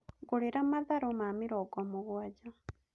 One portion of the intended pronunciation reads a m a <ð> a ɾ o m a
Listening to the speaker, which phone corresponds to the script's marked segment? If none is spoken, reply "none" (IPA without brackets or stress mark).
ð